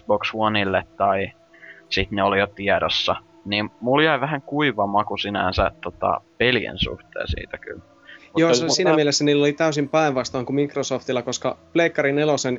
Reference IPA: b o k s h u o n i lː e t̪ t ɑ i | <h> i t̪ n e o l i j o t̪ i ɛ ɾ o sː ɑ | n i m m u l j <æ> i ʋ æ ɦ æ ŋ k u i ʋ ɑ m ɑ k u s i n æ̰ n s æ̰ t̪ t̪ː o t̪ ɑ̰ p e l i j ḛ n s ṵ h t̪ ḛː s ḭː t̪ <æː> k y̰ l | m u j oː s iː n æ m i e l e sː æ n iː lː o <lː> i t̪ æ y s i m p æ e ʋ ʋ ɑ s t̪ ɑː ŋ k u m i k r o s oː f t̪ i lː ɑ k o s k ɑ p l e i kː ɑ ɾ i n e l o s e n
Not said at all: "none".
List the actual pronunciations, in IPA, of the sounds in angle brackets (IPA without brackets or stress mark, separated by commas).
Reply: s, æ, æ, l